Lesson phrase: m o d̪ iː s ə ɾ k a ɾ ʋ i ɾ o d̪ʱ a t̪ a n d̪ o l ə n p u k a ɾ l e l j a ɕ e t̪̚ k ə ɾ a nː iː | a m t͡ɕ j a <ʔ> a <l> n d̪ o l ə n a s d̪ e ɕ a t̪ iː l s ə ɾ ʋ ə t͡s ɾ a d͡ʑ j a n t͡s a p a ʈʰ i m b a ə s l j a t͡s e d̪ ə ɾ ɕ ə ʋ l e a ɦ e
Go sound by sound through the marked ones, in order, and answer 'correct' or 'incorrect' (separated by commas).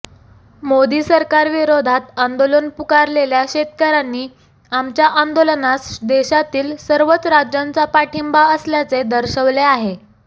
correct, incorrect